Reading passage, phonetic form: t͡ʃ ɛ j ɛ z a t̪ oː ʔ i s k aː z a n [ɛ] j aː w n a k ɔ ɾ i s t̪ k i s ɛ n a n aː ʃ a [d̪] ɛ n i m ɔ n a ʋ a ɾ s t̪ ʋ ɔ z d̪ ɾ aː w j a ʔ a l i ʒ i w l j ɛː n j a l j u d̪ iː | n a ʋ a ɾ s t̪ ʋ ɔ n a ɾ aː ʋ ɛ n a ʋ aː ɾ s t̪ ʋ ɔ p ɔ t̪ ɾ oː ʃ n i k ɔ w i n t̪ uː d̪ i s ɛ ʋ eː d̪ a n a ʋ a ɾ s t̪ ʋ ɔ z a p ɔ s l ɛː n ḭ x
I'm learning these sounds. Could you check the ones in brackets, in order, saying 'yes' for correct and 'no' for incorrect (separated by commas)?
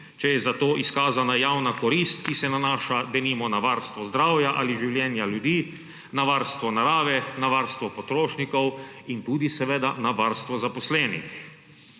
no, yes